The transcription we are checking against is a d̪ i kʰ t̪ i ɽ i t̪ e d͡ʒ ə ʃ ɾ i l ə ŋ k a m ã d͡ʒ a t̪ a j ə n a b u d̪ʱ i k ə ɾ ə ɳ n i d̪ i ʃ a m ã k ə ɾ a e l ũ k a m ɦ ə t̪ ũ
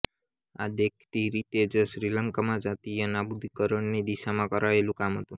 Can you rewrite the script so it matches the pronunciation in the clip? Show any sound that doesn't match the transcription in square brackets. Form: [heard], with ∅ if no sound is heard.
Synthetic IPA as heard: a d̪ [e] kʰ t̪ i [ɾ] i t̪ e d͡ʒ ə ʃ ɾ i l ə ŋ k a m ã d͡ʒ a t̪ [i] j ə n a b u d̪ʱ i k ə ɾ ə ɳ n i d̪ i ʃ a m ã k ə ɾ a e l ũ k a m ɦ ə t̪ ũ